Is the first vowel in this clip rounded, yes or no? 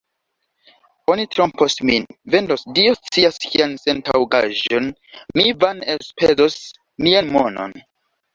yes